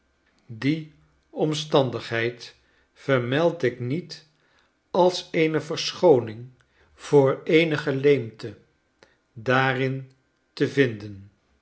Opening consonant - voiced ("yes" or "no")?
yes